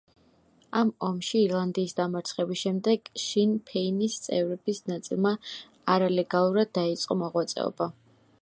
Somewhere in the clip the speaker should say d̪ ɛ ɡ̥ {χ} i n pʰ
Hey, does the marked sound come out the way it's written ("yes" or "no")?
no